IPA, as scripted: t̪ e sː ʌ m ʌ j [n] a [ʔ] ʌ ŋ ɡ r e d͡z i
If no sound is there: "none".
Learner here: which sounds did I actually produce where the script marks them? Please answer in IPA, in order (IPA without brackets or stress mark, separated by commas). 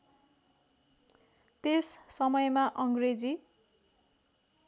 m, ʔ